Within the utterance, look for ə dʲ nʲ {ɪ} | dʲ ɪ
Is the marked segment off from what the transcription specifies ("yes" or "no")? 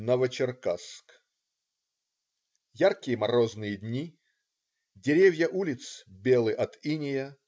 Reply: yes